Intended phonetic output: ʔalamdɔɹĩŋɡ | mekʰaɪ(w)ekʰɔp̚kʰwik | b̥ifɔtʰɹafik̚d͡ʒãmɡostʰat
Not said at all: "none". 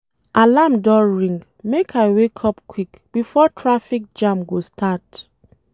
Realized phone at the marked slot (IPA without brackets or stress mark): w